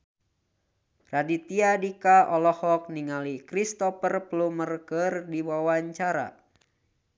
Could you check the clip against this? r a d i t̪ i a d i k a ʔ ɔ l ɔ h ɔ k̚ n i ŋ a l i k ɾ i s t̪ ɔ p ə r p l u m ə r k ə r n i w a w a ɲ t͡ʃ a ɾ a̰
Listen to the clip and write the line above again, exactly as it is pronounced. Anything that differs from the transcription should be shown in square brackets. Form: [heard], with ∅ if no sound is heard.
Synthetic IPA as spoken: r a d i t̪ i a d i k a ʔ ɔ l ɔ h ɔ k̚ n i ŋ a l i k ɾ i s t̪ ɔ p ə r p l u m ə r k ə r [d] i w a w a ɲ t͡ʃ a ɾ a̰